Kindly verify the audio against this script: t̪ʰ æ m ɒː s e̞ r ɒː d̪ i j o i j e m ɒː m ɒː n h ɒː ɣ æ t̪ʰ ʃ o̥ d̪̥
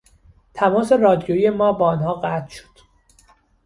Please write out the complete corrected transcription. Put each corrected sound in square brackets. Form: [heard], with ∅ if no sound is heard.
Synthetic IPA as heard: t̪ʰ æ m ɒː s e̞ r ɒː d̪ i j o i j e m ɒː [b] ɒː n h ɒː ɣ æ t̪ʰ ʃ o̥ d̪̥